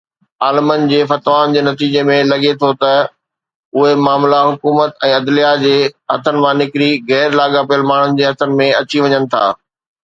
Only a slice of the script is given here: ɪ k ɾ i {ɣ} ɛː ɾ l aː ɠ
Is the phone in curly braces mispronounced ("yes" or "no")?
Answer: no